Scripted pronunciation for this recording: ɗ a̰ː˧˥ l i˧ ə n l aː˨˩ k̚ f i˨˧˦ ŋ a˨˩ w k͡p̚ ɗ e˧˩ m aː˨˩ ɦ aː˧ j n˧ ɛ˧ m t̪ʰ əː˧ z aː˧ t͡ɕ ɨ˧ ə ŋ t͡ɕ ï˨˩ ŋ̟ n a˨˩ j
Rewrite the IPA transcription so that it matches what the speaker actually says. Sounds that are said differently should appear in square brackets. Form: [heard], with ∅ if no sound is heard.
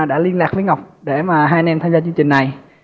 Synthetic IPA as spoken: ɗ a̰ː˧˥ l i˧ ə n l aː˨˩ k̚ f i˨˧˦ ŋ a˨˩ w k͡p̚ ɗ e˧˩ m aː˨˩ ɦ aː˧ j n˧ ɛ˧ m t̪ʰ [aː˧] z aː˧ t͡ɕ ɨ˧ ə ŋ t͡ɕ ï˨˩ ŋ̟ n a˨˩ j